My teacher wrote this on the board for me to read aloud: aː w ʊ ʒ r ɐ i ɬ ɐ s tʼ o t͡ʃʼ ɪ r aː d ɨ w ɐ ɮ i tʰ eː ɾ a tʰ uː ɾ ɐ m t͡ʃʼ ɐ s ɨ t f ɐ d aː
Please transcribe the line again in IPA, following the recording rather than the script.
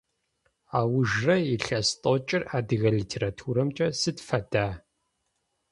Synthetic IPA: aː w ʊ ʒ r ɐ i ɬ ɐ s tʼ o t͡ʃʼ ɪ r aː d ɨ ɣ ɐ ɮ i tʰ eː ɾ a tʰ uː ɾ ɐ m t͡ʃʼ ɐ s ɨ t f ɐ d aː